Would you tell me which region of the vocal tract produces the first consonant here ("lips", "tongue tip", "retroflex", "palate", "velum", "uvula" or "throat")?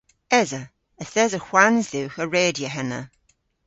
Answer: tongue tip